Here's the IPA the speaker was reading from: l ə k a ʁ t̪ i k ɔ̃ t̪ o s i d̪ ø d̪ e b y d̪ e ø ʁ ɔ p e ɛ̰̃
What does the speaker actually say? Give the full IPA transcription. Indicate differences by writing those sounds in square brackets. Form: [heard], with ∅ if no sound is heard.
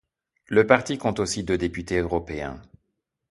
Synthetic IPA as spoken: l ə [p] a ʁ t̪ i k ɔ̃ t̪ o s i d̪ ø d̪ e [p] y [t̪] e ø ʁ ɔ p e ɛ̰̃

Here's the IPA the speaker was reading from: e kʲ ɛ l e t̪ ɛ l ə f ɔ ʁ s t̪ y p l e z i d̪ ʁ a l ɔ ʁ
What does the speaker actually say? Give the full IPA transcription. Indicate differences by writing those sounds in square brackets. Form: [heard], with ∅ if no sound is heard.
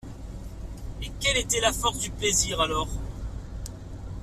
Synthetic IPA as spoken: e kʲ ɛ l e t̪ ɛ l [a] f ɔ ʁ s [d̪] y p l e z i [∅] ʁ a l ɔ ʁ

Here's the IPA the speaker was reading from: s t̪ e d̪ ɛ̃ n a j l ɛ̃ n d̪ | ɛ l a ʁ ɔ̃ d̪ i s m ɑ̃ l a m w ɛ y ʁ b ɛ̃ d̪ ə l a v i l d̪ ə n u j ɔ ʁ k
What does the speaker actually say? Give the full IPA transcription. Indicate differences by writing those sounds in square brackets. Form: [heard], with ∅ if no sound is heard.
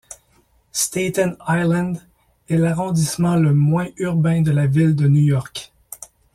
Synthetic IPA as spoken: s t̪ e [t̪] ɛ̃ n a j l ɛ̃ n d̪ | ɛ l a ʁ ɔ̃ d̪ i s m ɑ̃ l [ə] m w [ɛ̃] y ʁ b ɛ̃ d̪ ə l a v i l d̪ ə n u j ɔ ʁ k

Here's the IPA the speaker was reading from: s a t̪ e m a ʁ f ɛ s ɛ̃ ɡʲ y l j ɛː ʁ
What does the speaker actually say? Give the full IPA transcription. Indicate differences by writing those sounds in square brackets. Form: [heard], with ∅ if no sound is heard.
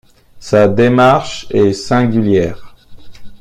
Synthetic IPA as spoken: s a [d̪] e m a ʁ [ʃ] ɛ s ɛ̃ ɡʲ y l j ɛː ʁ

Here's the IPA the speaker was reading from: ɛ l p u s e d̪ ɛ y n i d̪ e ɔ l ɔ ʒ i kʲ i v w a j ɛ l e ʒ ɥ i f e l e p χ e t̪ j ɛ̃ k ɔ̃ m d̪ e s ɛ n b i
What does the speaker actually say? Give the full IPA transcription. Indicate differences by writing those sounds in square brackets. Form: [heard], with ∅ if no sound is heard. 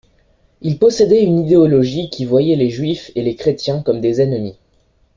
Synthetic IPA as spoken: [i] l p [ɔ] s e d̪ ɛ y n i d̪ e ɔ l ɔ ʒ i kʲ i v w a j ɛ l e ʒ ɥ i f e l e [k] χ e t̪ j ɛ̃ k [ɔ] m d̪ e [z] ɛ n [m] i

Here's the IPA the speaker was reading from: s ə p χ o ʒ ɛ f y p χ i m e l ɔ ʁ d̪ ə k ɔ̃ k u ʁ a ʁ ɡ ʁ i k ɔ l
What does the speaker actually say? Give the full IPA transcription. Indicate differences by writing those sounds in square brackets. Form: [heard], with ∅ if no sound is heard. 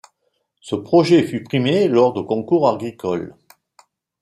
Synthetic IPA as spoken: s ə p χ [ɔ] ʒ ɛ f y p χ i m e l ɔ ʁ d̪ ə k ɔ̃ k u ʁ a ʁ ɡ ʁ i k ɔ l

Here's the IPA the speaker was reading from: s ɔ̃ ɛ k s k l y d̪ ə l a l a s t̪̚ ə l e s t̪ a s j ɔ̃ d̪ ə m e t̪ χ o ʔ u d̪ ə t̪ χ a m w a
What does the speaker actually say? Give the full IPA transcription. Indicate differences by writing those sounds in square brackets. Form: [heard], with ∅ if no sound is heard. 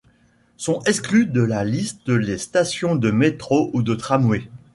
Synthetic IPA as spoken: s ɔ̃ ɛ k s k l y d̪ ə l a l [i] s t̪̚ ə l e s t̪ a s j ɔ̃ d̪ ə m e t̪ χ o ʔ u d̪ ə t̪ χ a m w [e]

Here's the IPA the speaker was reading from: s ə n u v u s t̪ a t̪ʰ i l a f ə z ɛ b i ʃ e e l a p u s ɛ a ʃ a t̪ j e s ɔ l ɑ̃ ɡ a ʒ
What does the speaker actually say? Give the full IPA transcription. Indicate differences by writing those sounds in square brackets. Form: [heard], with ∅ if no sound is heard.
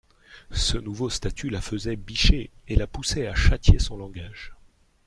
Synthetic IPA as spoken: s ə n u v [o] s t̪ a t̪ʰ [y] l a f ə z ɛ b i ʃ e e l a p u s ɛ a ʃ a t̪ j e s [ɔ̃] l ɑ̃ ɡ a ʒ

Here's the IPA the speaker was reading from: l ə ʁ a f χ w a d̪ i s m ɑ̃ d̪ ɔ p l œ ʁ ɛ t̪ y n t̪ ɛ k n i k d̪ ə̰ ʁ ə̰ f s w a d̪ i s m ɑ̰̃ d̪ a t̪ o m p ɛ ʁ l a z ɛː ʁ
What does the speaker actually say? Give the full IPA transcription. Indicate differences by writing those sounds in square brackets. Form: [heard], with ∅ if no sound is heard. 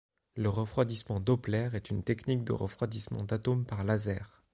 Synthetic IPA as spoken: l ə ʁ [ə] f χ w a d̪ i s m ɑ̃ d̪ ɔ p l [ɛ] ʁ ɛ t̪ y n t̪ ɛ k n i k d̪ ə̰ ʁ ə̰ f [χ] w a d̪ i s m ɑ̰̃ d̪ a t̪ o m p [a] ʁ l a z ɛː ʁ

